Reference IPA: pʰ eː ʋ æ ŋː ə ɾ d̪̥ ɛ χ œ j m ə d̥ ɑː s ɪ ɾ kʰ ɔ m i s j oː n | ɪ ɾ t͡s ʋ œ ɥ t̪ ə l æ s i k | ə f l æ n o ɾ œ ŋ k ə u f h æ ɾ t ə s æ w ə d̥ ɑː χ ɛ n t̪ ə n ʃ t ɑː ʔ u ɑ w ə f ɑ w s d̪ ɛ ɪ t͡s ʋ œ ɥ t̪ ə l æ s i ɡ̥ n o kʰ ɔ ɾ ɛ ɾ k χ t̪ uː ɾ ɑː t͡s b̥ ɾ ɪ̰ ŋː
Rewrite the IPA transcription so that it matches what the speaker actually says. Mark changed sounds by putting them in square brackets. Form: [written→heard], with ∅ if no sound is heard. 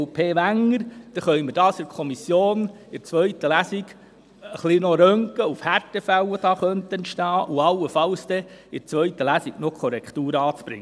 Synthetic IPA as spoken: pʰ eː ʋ æ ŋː ə ɾ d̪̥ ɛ χ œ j m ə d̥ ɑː s ɪ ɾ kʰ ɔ m i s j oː n | ɪ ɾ t͡s ʋ œ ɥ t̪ ə l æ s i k | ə [f→χ] l [æ→i] n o ɾ œ ŋ k ə u f h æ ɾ t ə [s→f] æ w ə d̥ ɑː χ [ɛ→œ] n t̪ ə n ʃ t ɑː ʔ u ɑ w ə f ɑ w s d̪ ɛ ɪ t͡s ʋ œ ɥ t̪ ə l æ s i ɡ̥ n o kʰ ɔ ɾ ɛ [ɾ→∅] k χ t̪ uː ɾ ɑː t͡s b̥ ɾ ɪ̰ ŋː

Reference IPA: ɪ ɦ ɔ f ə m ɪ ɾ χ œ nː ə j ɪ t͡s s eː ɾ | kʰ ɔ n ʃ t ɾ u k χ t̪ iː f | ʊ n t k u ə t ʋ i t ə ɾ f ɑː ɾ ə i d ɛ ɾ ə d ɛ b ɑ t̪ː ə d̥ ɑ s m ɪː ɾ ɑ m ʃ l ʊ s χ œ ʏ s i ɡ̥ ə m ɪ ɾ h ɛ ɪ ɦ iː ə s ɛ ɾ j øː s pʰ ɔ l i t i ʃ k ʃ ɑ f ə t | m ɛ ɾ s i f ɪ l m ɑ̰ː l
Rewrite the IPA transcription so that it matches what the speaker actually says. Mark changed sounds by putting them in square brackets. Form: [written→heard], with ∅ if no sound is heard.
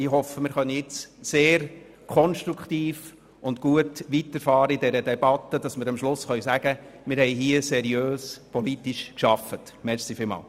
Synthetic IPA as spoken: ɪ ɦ ɔ f ə m ɪ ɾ χ œ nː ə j ɪ t͡s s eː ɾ | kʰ ɔ n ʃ t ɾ u k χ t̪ iː f | ʊ n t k u ə t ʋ i t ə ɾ f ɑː ɾ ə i d ɛ ɾ ə d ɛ b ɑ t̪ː ə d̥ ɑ s m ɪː ɾ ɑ m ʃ l ʊ s χ œ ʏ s [i→æ] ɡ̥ ə m ɪ ɾ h ɛ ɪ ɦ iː ə s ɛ ɾ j øː s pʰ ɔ l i t i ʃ k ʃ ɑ f ə t | m ɛ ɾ s i f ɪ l m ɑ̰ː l

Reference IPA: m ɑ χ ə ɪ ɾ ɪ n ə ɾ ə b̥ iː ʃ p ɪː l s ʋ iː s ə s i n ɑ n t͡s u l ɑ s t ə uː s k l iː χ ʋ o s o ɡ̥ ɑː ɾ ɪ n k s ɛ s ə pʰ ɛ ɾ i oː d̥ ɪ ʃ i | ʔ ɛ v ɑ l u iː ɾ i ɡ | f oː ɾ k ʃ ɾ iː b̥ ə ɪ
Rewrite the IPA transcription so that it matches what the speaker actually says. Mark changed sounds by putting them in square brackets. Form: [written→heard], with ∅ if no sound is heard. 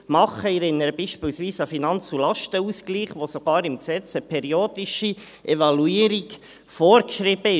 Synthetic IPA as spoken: m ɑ χ ə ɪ ɾ ɪ n ə ɾ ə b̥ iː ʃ p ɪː l s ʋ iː s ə [s→f] i n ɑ n t͡s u l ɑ [s→ʃ] t ə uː s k l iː χ ʋ o s o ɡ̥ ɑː ɾ ɪ [n→m] k s ɛ [s→t͡s] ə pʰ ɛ ɾ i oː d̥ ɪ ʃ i | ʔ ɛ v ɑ l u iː ɾ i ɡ | f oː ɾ k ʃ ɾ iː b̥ ə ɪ

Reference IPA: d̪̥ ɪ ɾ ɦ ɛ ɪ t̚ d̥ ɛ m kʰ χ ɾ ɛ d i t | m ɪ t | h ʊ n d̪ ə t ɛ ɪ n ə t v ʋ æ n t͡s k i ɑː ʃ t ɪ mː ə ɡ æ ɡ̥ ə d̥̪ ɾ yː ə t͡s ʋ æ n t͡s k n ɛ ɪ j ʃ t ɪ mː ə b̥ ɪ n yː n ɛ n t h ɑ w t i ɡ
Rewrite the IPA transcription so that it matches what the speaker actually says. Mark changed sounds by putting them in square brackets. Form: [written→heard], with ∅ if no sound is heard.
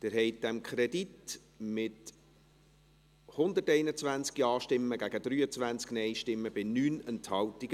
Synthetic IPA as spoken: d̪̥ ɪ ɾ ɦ ɛ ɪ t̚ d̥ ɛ m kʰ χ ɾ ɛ d i t | m ɪ t | h ʊ n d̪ ə t ɛ ɪ n ə [t→t͡s] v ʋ æ n t͡s k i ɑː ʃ t ɪ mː ə ɡ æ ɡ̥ ə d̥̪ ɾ yː ə t͡s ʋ æ n t͡s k n ɛ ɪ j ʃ t ɪ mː ə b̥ ɪ n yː n ɛ n t h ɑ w t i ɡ

